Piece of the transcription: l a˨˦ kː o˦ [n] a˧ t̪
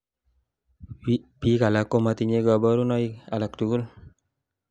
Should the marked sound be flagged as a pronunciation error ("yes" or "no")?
yes